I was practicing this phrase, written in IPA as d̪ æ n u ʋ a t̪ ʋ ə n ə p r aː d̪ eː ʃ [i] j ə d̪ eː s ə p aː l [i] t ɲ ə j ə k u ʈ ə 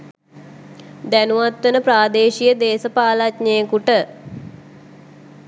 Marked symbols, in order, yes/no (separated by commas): yes, no